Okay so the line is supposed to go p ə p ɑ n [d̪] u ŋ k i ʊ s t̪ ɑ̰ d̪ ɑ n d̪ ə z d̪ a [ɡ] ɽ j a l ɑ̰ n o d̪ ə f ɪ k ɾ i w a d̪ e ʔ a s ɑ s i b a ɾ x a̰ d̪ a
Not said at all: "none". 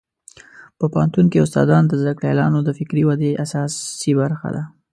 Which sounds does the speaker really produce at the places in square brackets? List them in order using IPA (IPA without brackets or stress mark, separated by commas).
t̪, k